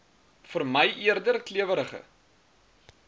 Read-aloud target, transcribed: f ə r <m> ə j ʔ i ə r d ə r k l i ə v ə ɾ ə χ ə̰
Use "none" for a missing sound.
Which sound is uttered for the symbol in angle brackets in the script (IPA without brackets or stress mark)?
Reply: m